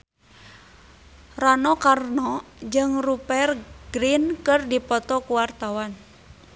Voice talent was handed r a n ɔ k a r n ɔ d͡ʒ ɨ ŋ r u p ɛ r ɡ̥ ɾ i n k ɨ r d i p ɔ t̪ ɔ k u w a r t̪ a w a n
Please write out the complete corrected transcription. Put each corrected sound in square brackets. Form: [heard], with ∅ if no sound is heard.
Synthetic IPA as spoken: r a n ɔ k a r n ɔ d͡ʒ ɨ ŋ r u p ɛ r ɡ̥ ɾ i n k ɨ r d i p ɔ t̪ ɔ k u w a r t̪ a w a n